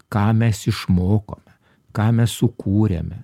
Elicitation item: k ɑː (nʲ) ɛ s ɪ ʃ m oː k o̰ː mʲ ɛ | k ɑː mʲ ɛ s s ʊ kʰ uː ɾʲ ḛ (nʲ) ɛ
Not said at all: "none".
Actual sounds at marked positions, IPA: mʲ, mʲ

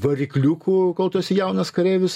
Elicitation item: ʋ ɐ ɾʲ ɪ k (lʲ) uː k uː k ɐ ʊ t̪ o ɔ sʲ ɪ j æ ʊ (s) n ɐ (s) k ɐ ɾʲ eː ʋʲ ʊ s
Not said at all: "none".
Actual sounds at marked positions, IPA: lʲ, none, s

